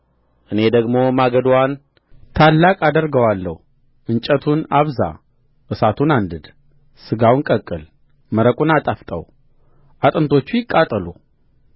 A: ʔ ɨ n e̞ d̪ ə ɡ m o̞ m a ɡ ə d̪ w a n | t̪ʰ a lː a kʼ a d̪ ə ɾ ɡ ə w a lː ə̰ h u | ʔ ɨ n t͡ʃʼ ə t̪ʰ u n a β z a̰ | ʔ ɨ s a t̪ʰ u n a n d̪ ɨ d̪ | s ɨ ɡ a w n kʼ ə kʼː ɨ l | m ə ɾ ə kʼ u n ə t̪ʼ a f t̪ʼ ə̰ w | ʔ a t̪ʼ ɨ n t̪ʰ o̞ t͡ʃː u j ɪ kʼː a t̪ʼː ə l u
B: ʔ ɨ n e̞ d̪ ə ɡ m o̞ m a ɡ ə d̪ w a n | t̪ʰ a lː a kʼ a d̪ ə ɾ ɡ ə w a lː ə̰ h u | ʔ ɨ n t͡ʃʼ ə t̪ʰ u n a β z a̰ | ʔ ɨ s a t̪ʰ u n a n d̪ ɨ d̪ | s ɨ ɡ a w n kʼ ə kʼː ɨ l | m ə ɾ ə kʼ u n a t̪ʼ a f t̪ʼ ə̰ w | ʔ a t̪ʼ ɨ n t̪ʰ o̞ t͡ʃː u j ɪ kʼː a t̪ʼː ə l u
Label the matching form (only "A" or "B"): B